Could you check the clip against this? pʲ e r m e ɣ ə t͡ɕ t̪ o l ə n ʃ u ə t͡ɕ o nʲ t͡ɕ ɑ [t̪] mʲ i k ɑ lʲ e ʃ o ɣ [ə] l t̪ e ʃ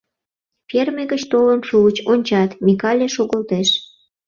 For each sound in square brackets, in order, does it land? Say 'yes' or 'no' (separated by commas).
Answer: yes, yes